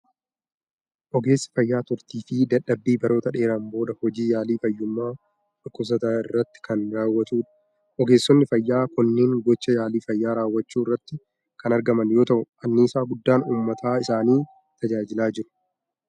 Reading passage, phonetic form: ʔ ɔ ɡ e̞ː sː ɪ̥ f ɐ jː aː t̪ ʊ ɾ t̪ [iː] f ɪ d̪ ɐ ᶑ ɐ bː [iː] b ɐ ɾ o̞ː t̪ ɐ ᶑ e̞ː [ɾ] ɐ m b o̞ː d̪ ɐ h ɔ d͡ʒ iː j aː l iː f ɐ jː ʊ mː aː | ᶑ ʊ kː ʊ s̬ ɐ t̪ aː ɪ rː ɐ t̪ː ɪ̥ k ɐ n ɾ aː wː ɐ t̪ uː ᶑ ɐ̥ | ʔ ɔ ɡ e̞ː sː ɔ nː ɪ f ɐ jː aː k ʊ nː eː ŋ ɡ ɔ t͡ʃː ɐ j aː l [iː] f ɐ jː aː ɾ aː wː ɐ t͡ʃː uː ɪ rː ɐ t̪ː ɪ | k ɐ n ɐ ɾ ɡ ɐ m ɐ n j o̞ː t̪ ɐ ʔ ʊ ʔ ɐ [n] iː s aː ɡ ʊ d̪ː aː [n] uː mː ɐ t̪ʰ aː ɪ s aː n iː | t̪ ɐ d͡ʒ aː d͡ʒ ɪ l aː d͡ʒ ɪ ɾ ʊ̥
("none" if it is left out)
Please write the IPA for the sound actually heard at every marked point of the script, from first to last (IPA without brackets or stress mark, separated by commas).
iː, iː, ɾ, iː, nː, n